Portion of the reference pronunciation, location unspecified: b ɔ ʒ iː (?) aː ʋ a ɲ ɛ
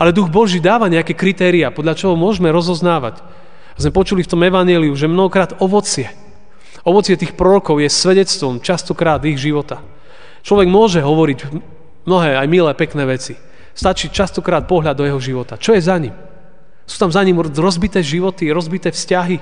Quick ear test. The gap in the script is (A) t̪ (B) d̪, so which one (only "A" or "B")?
B